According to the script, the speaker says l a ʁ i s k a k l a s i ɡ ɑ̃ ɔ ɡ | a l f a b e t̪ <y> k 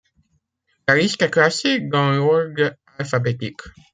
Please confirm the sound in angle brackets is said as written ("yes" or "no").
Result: no